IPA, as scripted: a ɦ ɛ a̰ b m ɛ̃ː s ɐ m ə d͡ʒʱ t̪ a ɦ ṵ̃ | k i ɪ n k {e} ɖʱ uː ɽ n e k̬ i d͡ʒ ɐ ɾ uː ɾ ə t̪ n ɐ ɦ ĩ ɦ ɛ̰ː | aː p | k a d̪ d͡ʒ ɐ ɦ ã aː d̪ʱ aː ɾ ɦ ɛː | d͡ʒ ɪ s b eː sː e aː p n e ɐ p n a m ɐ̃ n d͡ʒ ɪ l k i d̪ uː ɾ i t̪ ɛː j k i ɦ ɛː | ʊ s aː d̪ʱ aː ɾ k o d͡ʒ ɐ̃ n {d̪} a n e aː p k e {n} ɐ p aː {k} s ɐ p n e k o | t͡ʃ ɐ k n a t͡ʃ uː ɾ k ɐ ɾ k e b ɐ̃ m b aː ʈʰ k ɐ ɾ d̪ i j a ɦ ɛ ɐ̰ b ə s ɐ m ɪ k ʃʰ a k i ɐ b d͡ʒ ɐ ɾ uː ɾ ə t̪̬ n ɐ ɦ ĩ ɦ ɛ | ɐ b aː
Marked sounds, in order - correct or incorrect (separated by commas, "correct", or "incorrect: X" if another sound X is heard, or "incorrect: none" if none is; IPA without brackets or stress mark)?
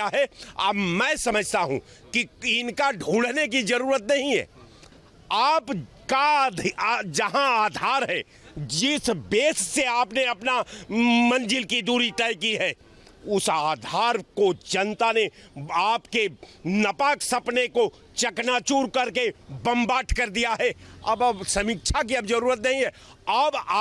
incorrect: a, incorrect: t̪, correct, correct